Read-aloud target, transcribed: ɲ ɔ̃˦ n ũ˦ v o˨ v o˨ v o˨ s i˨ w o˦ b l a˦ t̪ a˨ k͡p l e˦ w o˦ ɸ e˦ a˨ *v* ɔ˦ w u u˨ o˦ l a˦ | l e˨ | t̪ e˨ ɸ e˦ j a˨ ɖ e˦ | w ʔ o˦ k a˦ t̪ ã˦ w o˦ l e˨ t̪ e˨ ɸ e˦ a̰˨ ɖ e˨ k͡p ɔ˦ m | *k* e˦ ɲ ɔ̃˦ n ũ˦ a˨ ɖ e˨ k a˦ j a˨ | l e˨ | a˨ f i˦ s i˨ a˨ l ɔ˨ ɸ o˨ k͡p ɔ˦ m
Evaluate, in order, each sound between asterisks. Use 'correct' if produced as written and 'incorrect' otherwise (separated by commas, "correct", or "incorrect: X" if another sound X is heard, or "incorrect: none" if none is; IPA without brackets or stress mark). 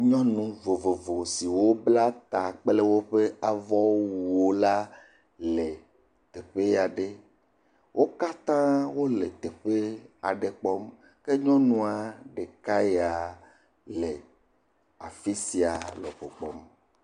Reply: correct, correct